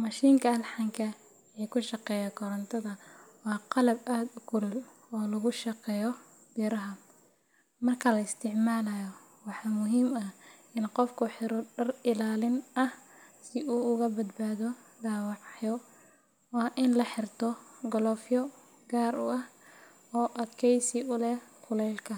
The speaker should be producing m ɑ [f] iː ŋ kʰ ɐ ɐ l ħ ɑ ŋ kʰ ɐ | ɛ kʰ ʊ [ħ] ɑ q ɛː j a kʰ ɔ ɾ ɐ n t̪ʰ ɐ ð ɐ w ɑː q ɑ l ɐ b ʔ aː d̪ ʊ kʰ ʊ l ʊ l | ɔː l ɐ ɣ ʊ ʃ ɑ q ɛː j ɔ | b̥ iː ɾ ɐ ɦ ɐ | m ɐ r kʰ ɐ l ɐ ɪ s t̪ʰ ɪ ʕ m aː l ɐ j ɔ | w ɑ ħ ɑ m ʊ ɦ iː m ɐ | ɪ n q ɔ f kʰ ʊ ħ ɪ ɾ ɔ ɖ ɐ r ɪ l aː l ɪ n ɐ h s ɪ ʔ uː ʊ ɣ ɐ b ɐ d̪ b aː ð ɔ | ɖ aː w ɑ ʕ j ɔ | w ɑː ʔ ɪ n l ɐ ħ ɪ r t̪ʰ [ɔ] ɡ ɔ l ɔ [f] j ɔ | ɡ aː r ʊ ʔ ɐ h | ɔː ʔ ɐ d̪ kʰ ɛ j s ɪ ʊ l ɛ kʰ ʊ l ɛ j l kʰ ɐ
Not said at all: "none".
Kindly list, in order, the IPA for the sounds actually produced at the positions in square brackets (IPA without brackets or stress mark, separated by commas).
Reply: ʃ, ʃ, ɔ, f